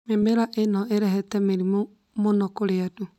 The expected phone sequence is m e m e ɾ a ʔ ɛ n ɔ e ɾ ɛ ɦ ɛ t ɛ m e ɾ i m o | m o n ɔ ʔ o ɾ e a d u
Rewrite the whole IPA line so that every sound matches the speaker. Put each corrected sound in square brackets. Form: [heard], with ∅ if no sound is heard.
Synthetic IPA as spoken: m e m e ɾ a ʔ [e] n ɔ e ɾ ɛ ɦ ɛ t ɛ m e ɾ i m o | m o n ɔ [k] o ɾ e a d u